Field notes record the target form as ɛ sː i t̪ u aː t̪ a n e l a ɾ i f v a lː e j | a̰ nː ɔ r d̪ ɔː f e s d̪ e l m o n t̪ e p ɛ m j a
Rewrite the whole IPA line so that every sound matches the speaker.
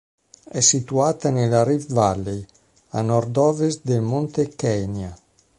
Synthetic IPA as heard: ɛ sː i t̪ u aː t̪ a n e l a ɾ i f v a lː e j | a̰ n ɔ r d̪ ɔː v e s d̪ e l m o n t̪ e k ɛ n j a